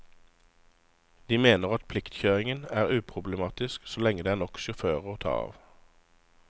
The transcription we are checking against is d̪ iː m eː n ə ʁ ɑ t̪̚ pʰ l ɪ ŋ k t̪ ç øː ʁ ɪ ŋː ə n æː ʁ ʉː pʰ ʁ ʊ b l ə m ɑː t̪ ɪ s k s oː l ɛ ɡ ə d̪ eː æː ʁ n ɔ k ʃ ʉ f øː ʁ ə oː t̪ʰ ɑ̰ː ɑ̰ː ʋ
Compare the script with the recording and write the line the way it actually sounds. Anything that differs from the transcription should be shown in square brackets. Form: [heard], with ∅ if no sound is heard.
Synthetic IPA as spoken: d̪ iː m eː n ə ʁ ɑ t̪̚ pʰ l ɪ [∅] k t̪ ç øː ʁ ɪ [ŋ] ə n æː ʁ ʉː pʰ ʁ ʊ b l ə m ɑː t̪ ɪ s k s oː l ɛ [ŋ] ə d̪ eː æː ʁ n ɔ k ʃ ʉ f øː ʁ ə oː t̪ʰ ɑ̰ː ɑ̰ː ʋ